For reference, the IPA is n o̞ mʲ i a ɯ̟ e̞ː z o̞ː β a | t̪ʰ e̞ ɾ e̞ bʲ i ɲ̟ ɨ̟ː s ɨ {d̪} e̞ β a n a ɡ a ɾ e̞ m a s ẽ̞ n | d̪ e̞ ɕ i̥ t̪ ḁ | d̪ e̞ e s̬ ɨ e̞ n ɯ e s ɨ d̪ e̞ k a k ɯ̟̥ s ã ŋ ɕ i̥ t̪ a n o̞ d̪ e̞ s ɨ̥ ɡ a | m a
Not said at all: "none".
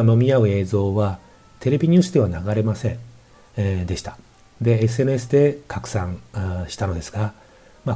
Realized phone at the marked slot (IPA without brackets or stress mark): d̪